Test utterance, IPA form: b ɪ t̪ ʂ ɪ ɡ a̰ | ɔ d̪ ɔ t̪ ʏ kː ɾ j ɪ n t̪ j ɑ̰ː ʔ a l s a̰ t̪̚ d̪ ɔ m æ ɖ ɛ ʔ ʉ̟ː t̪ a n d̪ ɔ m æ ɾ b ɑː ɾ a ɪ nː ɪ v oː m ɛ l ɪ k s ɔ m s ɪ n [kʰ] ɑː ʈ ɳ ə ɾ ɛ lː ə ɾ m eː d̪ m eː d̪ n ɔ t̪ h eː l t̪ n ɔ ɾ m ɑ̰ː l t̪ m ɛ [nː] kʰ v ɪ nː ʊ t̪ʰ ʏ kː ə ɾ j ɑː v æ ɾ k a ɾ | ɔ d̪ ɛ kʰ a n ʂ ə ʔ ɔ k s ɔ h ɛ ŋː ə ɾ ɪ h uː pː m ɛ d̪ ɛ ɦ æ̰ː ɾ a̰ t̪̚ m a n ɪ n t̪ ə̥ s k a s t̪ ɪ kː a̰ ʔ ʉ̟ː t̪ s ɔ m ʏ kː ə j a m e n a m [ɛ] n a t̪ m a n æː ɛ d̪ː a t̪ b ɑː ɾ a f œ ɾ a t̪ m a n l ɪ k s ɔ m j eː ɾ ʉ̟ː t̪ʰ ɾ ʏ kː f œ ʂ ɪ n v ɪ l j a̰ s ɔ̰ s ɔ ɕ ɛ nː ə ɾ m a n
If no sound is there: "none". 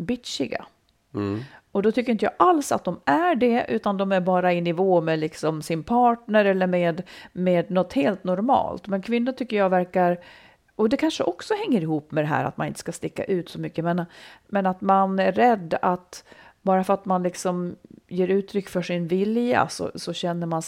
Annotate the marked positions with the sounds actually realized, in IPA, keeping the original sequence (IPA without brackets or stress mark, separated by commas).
pʰ, n, ɛ